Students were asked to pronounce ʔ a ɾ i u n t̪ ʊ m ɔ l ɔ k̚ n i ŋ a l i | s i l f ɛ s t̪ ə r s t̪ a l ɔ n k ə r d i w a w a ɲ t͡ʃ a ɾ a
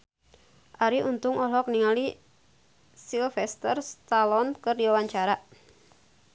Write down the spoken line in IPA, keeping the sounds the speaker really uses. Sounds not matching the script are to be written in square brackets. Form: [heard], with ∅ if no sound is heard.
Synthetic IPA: ʔ a ɾ i u n t̪ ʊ [ŋ] ɔ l ɔ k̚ n i ŋ a l i | s i l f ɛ s t̪ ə r s t̪ a l ɔ n k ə r d i w a w a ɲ t͡ʃ a ɾ a